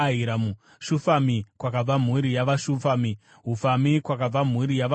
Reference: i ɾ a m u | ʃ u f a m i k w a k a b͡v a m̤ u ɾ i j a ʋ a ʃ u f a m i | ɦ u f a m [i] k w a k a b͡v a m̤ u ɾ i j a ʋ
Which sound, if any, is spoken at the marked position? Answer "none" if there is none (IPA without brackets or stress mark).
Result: i